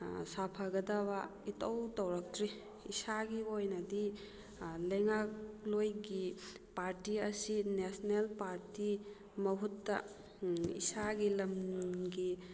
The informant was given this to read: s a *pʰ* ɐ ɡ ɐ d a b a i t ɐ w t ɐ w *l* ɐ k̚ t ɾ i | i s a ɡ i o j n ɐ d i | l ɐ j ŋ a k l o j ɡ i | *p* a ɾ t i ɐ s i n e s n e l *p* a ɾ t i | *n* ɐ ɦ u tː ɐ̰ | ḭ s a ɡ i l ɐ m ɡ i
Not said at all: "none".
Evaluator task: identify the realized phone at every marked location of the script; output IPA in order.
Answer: pʰ, ɾ, p, p, m

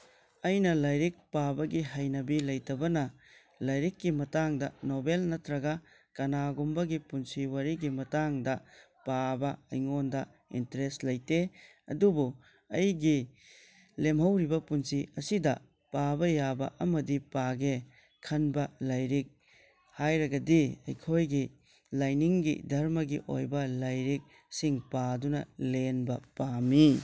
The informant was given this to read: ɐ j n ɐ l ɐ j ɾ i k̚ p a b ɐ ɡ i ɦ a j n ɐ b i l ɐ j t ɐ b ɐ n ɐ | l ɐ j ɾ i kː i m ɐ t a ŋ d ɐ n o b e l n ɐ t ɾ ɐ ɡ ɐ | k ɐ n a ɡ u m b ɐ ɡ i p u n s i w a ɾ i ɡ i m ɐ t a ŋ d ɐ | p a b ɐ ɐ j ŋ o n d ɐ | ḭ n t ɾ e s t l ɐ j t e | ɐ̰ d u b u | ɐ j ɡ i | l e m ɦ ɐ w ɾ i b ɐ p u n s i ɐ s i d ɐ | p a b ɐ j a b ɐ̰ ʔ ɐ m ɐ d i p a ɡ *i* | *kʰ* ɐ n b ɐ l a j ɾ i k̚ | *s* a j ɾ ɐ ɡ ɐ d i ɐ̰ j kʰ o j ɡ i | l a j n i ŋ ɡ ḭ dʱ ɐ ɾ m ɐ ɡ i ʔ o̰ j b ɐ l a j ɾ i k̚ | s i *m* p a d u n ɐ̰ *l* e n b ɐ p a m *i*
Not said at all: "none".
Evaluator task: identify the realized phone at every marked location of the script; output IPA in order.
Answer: e, kʰ, h, ŋ, l, i

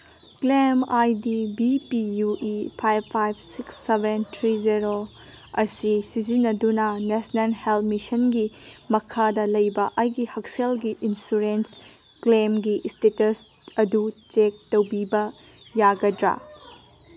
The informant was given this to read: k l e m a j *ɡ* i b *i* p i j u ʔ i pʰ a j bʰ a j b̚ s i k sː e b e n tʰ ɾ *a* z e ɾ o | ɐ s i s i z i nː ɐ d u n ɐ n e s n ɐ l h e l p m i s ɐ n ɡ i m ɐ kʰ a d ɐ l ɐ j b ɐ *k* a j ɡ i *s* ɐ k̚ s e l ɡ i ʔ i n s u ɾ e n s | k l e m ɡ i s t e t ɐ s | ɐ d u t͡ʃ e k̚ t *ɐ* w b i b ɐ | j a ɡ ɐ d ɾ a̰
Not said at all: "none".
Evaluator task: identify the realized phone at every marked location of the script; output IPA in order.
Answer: d, i, i, ʔ, h, ɐ

